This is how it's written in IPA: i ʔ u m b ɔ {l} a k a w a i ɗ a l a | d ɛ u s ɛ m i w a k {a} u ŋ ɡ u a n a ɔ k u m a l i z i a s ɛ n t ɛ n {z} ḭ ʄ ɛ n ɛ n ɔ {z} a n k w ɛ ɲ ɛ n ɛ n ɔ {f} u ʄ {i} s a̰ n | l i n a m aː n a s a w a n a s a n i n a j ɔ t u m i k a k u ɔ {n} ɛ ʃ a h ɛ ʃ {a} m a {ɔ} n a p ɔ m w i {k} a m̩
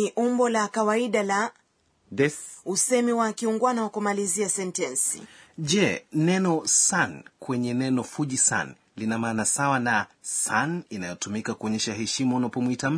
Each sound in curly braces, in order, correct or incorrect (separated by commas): correct, incorrect, incorrect, incorrect, correct, correct, incorrect, incorrect, incorrect, incorrect